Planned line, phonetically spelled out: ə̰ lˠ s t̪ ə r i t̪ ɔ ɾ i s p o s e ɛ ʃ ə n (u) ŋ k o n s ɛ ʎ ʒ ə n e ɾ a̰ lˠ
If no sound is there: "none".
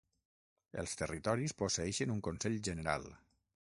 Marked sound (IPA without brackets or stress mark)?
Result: u